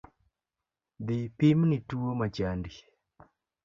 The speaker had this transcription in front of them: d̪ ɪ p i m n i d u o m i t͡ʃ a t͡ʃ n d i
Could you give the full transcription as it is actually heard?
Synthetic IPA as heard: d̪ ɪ p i m n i t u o m a t͡ʃ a n d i